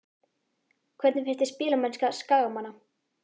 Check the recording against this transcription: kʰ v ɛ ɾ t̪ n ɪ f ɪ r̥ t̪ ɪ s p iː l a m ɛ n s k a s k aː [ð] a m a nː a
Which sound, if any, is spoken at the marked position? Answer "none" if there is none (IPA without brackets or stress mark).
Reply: ɣ